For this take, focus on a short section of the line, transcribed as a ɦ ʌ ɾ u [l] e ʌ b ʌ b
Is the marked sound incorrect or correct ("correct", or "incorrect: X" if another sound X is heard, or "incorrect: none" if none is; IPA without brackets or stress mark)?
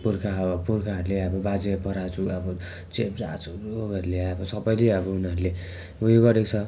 correct